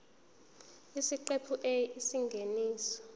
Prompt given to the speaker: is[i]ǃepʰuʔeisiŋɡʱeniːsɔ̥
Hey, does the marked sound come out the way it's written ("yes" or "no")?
yes